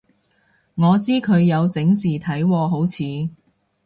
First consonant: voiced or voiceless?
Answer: voiced